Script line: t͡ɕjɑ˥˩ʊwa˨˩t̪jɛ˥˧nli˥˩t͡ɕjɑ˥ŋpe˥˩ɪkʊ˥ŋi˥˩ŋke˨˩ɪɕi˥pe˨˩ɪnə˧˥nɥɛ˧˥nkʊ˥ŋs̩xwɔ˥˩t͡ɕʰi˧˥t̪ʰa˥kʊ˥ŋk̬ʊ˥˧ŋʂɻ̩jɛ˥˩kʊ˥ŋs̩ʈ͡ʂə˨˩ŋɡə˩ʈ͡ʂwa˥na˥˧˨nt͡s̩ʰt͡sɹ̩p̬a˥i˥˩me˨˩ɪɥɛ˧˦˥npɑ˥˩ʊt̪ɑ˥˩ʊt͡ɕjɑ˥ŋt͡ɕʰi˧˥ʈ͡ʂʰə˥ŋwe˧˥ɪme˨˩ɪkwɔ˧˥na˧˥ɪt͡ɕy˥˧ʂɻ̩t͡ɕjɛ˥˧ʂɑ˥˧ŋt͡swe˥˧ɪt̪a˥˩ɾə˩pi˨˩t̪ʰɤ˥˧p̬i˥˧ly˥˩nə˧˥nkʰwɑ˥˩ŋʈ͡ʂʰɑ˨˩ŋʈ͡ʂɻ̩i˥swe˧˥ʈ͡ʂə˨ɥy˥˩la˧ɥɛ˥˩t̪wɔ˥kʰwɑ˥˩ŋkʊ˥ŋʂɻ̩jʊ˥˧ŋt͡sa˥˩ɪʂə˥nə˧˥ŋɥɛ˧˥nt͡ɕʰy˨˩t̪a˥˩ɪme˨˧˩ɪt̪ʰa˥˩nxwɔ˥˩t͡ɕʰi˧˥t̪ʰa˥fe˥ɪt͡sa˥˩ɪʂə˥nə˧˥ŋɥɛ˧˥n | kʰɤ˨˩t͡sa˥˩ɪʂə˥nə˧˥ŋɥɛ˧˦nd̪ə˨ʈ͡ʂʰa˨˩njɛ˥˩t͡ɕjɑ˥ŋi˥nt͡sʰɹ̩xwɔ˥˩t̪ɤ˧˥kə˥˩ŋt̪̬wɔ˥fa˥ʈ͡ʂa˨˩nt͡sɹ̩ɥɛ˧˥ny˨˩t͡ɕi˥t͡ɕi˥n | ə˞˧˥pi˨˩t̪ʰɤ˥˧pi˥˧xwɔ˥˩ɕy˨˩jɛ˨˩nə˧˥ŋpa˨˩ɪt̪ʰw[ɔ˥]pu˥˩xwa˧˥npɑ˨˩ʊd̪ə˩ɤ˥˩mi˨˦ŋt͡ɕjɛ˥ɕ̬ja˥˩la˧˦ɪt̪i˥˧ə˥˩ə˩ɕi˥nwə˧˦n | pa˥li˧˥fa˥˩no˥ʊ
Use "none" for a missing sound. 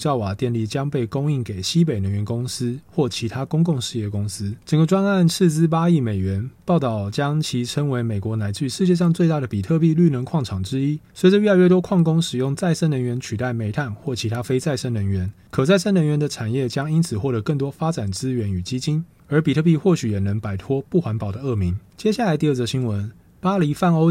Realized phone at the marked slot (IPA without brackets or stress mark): ɔ˥